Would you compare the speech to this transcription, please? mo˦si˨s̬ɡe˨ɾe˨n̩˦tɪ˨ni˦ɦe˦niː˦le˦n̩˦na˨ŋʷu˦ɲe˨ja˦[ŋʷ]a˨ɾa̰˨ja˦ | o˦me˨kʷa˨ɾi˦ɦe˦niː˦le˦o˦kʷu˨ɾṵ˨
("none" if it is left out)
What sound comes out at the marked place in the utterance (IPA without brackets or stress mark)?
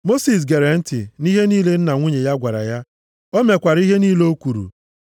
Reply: ɡʷ